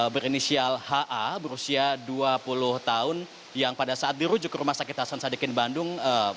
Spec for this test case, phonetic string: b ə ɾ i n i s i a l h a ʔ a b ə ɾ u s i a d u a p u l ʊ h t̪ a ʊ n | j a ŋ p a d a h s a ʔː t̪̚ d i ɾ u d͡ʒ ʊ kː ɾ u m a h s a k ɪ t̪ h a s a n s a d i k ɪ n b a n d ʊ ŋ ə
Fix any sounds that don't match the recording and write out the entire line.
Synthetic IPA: b ə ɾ i n i s i a l h a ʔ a b ə ɾ u s i a d u a p u l ʊ h t̪ a ʊ n | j a ŋ p a d a s a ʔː t̪̚ d i ɾ u d͡ʒ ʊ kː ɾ u m a h s a k ɪ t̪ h a s a n s a d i k ɪ n b a n d ʊ ŋ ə